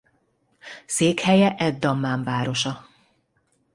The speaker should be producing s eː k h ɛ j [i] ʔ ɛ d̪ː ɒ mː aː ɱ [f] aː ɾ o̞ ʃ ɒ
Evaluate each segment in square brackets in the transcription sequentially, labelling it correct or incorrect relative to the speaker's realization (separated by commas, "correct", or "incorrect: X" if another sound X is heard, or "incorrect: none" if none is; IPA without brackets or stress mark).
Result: incorrect: ɛ, incorrect: v